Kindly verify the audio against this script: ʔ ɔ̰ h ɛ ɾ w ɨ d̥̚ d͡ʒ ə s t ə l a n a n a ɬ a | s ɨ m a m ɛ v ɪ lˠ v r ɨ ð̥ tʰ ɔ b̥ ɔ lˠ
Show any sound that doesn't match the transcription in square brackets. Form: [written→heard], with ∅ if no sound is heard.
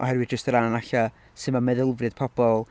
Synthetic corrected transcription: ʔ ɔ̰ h ɛ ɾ w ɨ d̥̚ d͡ʒ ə s t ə [l→ɾ] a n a n a ɬ a | s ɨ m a m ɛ [v→ð] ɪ lˠ v r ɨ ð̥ [tʰ→pʰ] ɔ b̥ ɔ lˠ